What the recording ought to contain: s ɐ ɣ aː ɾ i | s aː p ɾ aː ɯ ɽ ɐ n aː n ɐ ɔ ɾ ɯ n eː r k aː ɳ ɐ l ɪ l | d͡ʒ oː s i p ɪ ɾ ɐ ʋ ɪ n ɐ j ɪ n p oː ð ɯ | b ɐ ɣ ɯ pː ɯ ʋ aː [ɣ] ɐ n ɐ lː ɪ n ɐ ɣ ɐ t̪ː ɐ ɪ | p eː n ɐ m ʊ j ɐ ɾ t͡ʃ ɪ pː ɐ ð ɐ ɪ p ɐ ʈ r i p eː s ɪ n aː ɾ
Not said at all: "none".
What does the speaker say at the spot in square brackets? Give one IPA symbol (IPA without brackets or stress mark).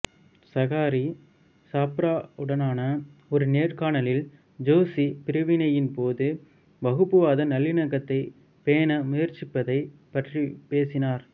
ð